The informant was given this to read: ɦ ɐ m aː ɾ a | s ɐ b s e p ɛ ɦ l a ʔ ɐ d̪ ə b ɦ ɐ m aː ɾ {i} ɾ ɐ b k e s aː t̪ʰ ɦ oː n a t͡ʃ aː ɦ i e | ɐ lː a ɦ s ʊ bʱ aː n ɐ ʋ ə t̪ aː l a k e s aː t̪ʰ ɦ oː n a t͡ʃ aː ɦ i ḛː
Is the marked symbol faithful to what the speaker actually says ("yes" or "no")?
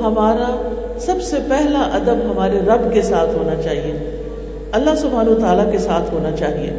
no